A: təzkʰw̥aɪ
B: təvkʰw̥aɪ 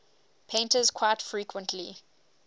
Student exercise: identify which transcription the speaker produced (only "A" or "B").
A